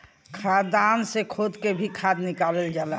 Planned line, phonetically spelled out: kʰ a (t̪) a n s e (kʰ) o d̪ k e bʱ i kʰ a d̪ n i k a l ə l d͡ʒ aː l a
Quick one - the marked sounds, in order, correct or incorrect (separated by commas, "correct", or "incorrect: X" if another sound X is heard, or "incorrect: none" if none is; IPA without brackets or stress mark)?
incorrect: d̪, correct